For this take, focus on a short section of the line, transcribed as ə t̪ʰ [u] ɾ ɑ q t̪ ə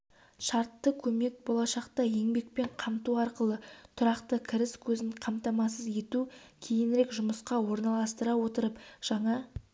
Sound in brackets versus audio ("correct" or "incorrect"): incorrect